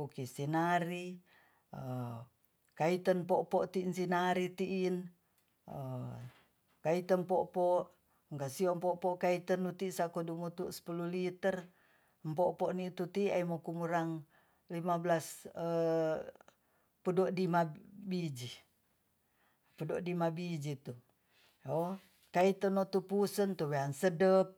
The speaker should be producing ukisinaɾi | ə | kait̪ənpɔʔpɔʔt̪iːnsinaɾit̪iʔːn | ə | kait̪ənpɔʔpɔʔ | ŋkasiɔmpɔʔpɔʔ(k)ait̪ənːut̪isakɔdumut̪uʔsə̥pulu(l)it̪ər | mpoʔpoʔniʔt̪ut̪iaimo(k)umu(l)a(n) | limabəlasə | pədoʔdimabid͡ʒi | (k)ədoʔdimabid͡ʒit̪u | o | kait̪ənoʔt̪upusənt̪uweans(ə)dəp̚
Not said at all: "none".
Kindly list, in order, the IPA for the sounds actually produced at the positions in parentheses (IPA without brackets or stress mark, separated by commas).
k, l, k, ɾ, ŋ, p, ə